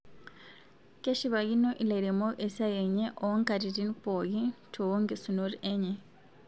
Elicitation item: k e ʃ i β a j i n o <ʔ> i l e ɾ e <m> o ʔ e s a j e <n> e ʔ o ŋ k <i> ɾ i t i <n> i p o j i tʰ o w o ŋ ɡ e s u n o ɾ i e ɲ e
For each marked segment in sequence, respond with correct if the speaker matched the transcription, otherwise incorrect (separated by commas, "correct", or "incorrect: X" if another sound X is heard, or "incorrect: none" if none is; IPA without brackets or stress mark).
correct, correct, incorrect: ɲ, incorrect: a, correct